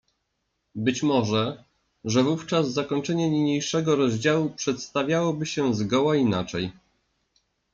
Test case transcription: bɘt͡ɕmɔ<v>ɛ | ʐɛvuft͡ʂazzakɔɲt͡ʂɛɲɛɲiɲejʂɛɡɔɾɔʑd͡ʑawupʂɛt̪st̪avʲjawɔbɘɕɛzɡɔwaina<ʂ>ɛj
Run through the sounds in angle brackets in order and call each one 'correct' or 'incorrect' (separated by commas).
incorrect, incorrect